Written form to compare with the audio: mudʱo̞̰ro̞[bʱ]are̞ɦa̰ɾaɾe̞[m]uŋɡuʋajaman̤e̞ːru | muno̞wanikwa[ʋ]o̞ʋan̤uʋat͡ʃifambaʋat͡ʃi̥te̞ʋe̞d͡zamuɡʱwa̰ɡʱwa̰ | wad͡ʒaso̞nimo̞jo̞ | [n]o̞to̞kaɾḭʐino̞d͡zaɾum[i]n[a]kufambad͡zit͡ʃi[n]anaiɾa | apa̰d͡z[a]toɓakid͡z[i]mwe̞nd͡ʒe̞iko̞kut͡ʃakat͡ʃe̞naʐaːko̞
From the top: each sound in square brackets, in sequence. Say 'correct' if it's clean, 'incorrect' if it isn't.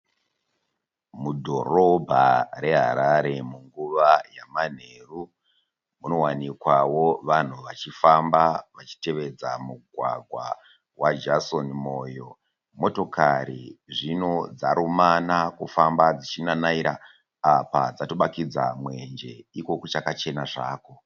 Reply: correct, correct, incorrect, incorrect, incorrect, correct, correct, correct, incorrect

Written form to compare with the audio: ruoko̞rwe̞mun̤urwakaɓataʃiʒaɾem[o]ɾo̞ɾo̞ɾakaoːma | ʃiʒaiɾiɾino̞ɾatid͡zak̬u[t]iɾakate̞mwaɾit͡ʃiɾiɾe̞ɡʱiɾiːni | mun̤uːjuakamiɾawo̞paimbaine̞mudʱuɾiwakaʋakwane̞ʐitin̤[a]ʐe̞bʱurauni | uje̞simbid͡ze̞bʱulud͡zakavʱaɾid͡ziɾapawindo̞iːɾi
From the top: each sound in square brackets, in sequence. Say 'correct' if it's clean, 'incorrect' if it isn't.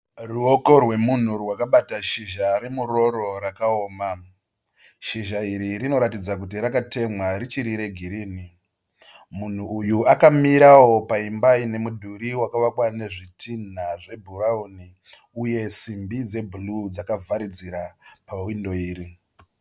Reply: incorrect, correct, correct

